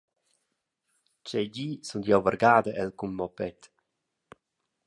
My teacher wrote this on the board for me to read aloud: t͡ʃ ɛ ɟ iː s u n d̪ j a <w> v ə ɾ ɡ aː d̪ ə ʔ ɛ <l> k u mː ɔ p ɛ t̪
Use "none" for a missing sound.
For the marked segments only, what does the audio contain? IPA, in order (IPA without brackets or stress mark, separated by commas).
w, l